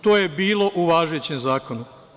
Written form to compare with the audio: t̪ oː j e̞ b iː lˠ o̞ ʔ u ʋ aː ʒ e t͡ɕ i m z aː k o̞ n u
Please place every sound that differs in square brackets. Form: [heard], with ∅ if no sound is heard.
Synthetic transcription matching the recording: t̪ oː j e̞ b iː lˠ o̞ ʔ u ʋ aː ʒ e t͡ɕ [e] m z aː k o̞ n u